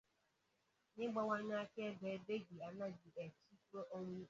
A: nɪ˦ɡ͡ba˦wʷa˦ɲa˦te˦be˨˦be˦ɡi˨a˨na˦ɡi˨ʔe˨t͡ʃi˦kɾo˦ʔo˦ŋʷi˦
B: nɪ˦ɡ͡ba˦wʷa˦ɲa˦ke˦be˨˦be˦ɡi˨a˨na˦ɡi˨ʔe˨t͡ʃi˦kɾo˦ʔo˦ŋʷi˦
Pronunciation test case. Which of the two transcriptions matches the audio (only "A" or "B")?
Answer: B